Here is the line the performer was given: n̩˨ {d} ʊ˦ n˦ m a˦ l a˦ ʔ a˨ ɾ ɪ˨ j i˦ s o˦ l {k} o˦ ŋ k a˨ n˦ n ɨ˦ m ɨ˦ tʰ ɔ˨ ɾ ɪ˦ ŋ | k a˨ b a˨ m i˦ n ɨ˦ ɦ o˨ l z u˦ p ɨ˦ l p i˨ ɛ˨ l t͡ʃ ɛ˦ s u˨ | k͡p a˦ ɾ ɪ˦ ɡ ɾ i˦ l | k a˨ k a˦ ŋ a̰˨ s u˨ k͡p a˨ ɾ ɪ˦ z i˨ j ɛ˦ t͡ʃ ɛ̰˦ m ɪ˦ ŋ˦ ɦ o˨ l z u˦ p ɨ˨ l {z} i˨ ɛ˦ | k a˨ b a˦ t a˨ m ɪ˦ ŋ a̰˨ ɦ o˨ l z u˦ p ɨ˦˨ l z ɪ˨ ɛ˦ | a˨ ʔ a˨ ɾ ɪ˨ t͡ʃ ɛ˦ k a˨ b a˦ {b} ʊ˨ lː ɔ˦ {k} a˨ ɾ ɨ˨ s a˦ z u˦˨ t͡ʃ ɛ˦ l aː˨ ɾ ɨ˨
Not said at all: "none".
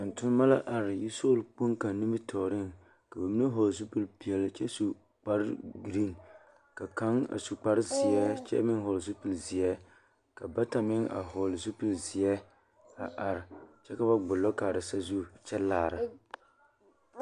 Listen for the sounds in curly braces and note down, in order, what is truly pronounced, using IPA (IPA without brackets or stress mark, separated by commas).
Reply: t, k͡p, z, ɡ͡b, k